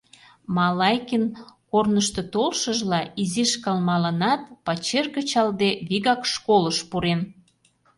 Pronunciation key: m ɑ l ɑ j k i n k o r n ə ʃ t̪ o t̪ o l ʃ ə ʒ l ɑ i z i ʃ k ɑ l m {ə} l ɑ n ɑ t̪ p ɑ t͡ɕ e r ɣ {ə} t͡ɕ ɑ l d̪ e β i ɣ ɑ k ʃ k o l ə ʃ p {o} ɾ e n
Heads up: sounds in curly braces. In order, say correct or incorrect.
incorrect: ɑ, correct, incorrect: u

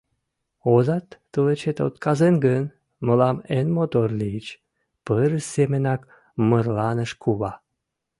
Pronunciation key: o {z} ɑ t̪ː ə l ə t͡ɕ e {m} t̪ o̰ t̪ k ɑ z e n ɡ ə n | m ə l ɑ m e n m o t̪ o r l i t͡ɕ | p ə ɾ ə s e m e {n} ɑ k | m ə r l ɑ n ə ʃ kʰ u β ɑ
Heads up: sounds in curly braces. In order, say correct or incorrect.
correct, incorrect: none, correct

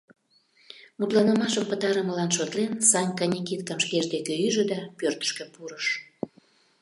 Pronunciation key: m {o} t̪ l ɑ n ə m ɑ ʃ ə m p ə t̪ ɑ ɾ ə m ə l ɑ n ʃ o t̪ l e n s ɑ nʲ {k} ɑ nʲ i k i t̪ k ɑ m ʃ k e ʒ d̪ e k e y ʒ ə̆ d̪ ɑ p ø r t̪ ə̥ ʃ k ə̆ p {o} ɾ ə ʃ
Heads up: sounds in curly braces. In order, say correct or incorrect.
incorrect: u, correct, incorrect: u

